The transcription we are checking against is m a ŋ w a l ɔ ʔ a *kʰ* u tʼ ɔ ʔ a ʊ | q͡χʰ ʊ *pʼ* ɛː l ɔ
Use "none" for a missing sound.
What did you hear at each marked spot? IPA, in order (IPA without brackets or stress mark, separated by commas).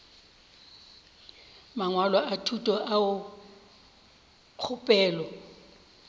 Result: tʰ, pʼ